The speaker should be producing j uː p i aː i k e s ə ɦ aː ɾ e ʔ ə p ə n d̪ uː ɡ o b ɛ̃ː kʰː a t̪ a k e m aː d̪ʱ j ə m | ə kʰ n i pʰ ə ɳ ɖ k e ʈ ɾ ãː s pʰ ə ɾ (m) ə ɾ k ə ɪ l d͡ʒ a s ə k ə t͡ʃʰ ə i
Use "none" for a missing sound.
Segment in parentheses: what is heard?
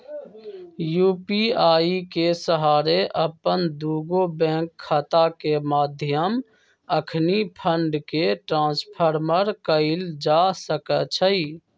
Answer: m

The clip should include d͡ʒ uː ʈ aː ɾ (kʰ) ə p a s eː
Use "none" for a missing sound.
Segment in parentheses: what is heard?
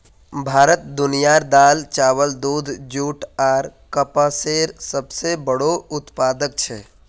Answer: k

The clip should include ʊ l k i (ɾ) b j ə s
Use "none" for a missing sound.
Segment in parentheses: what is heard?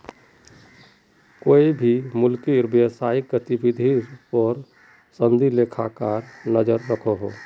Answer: ɾ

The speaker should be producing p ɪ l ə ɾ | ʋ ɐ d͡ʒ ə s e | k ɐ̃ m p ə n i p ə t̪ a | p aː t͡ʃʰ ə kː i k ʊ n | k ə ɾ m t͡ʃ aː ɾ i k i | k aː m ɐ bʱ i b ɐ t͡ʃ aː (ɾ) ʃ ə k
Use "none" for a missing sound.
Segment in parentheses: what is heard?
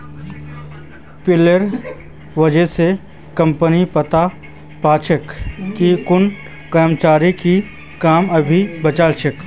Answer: l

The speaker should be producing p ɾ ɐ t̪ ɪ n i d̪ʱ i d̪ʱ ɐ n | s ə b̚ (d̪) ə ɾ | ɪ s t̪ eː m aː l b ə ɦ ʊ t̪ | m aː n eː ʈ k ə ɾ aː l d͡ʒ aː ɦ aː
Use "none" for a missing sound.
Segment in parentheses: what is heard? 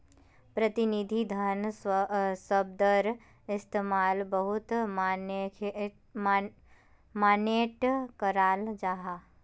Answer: d̪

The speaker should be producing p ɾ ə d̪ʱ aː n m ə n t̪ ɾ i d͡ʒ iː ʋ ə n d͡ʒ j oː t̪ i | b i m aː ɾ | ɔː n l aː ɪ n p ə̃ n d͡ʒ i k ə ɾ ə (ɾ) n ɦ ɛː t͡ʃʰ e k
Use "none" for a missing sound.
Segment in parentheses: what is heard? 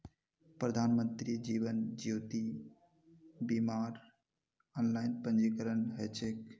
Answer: none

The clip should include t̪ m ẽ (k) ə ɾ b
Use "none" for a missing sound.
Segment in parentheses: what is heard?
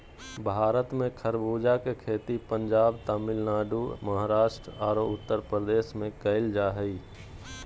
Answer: kʰ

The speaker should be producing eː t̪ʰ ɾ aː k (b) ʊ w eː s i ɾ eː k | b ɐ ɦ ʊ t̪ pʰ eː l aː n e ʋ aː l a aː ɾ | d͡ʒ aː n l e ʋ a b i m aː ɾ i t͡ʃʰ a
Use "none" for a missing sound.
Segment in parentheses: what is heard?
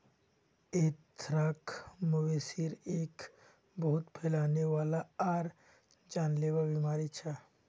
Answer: m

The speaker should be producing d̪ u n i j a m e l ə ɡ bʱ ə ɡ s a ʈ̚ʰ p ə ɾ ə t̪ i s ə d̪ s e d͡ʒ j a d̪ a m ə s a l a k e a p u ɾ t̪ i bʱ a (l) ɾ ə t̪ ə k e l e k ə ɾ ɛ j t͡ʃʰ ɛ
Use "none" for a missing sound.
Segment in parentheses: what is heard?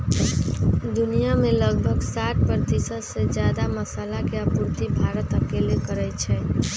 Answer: none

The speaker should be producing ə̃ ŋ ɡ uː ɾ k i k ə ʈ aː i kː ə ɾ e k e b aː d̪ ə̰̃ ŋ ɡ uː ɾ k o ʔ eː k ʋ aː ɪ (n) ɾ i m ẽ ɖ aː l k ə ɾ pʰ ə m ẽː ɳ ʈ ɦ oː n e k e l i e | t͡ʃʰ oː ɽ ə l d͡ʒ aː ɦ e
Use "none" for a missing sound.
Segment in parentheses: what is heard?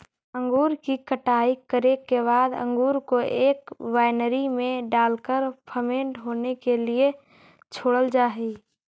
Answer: n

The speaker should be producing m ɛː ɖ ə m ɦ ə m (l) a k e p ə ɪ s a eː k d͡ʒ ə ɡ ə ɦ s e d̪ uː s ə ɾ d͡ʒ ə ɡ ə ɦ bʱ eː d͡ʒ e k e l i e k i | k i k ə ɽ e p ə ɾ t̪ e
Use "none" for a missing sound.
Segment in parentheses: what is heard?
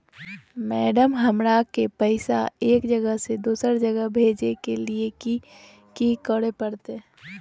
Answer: ɾ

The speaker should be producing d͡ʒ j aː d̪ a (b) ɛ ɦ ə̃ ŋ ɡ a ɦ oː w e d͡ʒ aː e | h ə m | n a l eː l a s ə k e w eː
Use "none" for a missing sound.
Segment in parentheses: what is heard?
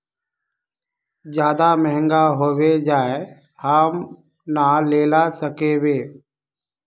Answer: m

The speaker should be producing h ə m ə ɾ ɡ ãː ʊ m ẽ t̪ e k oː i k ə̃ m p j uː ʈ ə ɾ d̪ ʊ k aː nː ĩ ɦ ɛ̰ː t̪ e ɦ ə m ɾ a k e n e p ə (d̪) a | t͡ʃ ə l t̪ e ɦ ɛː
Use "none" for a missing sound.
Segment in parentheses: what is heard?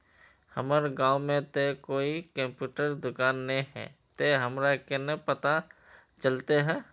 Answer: t̪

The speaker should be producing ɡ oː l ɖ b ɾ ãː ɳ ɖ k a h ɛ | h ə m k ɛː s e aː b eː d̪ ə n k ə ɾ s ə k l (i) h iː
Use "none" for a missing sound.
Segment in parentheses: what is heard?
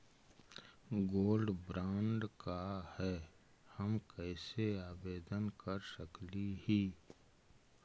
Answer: i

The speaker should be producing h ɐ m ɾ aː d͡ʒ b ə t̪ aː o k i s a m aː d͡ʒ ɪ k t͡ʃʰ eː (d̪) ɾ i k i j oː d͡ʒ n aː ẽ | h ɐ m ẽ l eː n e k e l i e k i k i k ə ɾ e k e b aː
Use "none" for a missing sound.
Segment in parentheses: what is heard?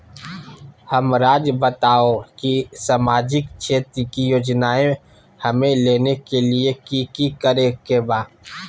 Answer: t̪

